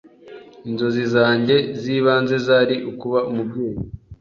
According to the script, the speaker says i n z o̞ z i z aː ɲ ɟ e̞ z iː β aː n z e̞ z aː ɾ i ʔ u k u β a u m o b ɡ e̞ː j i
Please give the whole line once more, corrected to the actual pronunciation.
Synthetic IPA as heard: i n z o̞ z i z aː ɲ ɟ e̞ z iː β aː n z e̞ z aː ɾ i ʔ u k u β a u m u b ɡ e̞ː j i